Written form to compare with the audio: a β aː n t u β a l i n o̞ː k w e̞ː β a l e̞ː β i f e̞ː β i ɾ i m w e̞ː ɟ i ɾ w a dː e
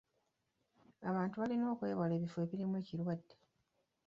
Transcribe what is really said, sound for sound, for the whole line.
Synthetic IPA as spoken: a β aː n t u β a l i n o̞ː k w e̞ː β a l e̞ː β i f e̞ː β i ɾ i m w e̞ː c i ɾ w a dː e